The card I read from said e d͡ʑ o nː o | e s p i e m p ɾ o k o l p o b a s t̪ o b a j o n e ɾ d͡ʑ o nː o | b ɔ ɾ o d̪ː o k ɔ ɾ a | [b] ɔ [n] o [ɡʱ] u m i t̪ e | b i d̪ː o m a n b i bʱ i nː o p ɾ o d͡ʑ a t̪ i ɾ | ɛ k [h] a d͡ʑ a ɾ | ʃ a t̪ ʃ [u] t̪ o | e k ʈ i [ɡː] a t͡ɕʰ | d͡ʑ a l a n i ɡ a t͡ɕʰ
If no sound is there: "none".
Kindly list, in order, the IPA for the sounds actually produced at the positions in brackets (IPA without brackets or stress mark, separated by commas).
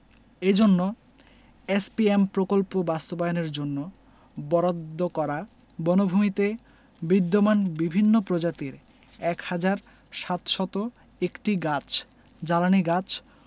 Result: b, n, bʱ, h, ɔ, ɡ